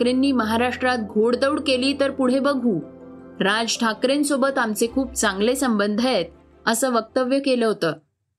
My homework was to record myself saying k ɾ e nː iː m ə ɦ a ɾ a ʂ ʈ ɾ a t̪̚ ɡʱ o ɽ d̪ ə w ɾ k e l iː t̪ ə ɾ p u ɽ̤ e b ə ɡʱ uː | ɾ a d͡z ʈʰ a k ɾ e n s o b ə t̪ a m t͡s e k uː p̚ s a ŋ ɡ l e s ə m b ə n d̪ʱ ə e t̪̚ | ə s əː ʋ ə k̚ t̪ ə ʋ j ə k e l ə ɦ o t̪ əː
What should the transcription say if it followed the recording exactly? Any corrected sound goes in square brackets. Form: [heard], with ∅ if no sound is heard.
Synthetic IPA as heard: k ɾ e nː iː m ə ɦ a ɾ a ʂ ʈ ɾ a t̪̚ ɡʱ o ɽ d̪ ə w [ɽ] k e l iː t̪ ə ɾ p u ɽ̤ e b ə ɡʱ uː | ɾ a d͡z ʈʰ a k ɾ e n s o b ə t̪ a m t͡s e [kʰ] uː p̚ [t͡s] a ŋ ɡ l e s ə m b ə n d̪ʱ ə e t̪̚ | ə s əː ʋ ə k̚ t̪ ə ʋ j ə k e l ə ɦ o t̪ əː